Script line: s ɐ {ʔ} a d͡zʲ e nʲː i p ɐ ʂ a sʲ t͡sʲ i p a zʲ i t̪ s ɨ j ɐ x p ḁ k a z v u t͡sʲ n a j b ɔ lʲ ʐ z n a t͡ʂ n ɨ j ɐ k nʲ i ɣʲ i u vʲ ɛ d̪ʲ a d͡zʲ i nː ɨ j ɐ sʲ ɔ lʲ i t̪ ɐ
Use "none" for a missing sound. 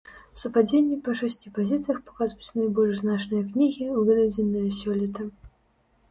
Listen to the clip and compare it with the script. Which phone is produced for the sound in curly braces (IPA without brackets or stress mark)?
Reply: p